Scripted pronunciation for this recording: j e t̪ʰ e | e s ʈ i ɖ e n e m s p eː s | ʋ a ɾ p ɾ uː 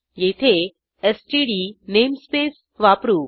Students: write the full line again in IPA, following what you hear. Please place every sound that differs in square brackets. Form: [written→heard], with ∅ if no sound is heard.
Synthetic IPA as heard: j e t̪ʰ e | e s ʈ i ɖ [e→i] n e m s p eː s | ʋ a [ɾ→∅] p ɾ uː